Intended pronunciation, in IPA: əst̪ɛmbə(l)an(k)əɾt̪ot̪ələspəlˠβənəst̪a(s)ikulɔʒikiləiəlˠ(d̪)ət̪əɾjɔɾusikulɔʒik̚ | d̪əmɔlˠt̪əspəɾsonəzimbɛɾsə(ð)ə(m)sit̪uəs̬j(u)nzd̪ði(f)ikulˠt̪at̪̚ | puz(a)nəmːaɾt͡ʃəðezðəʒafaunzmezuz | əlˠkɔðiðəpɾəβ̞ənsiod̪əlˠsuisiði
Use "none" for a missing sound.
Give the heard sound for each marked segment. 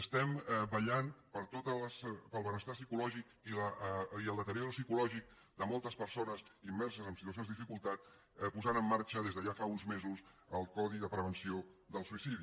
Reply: ʎ, p, s, d̪, z, m, o, f, a

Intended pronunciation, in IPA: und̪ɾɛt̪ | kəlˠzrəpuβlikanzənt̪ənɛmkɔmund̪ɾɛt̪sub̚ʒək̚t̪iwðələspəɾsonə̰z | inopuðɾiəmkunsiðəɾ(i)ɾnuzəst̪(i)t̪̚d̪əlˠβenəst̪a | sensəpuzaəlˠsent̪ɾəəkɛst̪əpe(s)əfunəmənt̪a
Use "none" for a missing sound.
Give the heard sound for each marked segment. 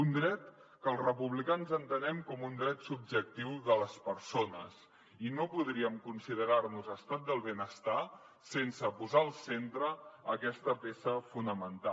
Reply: a, a, s

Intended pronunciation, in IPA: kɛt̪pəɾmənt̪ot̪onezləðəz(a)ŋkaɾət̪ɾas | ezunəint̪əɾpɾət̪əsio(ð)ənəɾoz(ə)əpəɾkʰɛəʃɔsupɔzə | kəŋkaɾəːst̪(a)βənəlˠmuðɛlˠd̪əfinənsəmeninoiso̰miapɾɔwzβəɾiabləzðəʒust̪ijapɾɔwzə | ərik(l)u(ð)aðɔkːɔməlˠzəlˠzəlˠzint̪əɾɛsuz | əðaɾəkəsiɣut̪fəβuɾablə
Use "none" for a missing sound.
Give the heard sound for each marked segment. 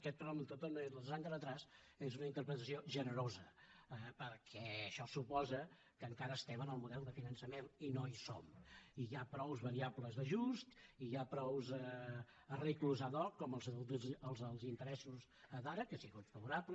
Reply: a, ʒ, ə, ɛ, l, z

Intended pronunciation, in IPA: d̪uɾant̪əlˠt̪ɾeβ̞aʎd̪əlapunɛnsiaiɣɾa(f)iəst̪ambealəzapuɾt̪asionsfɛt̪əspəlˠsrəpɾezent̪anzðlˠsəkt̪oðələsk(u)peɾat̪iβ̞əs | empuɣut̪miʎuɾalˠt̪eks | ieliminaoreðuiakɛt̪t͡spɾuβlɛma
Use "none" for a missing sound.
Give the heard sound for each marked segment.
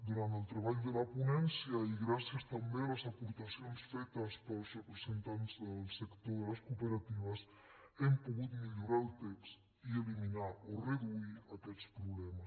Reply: s, u

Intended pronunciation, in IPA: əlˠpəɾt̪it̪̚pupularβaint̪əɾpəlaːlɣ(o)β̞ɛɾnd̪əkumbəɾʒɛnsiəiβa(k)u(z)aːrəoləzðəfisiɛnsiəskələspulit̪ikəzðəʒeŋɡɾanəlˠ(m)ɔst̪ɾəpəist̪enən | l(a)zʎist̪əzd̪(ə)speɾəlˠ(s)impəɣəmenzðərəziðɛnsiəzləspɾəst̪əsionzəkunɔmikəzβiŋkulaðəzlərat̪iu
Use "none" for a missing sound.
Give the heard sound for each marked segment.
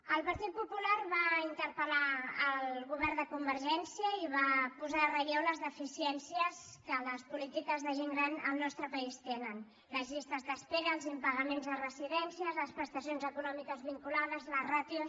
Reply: u, p, z, n, ə, ə, z

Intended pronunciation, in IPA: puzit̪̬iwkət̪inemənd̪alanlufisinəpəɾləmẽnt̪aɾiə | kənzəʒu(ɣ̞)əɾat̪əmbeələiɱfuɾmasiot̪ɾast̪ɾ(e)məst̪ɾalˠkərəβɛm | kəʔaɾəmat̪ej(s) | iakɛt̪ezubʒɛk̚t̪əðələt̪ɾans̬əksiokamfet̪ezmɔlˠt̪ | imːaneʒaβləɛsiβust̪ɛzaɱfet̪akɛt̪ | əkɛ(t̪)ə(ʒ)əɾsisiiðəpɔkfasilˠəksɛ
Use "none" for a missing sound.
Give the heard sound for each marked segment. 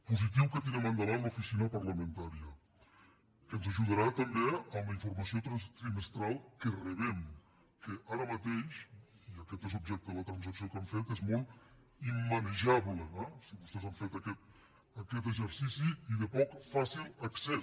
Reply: ð̞, i, ʃ, t̪, z

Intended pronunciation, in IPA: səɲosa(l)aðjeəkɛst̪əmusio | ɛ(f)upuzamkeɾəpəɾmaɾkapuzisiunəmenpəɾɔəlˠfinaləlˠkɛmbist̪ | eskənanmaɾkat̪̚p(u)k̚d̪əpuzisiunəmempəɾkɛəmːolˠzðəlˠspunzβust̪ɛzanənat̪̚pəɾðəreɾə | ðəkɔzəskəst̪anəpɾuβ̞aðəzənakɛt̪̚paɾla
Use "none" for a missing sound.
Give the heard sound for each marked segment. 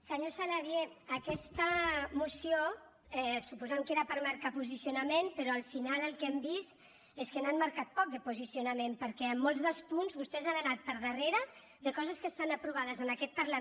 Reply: l, s, ɔ

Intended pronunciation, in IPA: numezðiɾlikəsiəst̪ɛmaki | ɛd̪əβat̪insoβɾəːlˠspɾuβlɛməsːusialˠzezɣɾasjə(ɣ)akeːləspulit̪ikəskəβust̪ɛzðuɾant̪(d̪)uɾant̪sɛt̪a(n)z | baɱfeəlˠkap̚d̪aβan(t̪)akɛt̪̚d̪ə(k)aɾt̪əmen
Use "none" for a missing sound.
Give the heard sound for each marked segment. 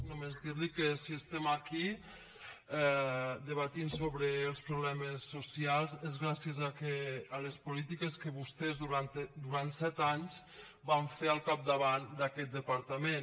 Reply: z, d̪, ɲ, d̪, p

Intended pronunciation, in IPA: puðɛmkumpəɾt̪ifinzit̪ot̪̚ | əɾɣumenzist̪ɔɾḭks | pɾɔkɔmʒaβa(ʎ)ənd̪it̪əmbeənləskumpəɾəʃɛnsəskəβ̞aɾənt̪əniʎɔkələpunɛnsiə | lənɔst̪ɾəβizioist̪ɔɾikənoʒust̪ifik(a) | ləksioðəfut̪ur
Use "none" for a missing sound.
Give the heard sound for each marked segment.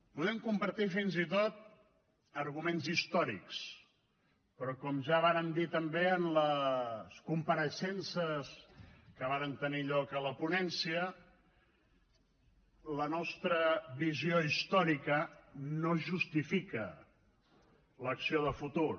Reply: ɾ, ə

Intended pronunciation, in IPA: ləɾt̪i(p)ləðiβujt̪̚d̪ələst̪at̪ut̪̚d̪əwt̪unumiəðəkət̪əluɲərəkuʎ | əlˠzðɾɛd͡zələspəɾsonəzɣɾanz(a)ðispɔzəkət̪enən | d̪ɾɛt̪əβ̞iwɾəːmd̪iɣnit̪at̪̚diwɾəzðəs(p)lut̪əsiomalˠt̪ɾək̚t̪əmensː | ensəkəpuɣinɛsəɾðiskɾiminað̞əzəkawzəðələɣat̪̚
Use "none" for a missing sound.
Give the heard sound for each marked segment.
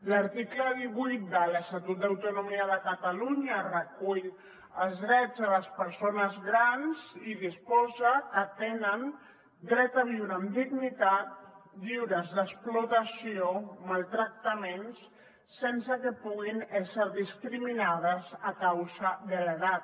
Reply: k, i, p

